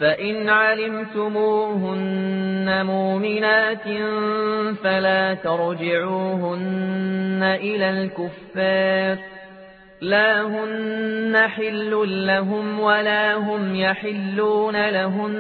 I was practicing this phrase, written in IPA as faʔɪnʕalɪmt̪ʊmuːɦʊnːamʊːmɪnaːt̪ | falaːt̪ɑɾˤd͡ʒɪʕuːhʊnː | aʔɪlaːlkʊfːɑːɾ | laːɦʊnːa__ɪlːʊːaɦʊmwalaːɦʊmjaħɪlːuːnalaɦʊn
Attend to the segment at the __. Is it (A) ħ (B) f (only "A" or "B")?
A